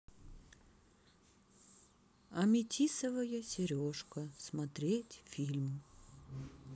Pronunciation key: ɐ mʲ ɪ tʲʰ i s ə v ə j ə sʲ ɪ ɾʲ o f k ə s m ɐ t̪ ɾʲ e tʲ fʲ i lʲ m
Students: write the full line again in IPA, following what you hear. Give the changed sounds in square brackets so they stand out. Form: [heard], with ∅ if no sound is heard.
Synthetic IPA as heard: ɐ mʲ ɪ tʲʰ i s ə v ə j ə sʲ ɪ ɾʲ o [ʂ] k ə s m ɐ t̪ ɾʲ e tʲ fʲ i lʲ m